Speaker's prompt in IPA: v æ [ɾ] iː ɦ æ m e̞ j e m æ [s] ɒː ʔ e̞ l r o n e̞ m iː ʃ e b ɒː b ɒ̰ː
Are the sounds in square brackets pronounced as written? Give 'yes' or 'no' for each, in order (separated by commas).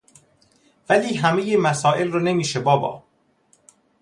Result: no, yes